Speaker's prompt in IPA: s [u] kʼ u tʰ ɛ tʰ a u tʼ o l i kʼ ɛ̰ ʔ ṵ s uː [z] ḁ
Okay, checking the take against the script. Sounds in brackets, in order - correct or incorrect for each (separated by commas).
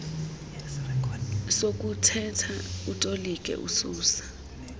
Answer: incorrect, incorrect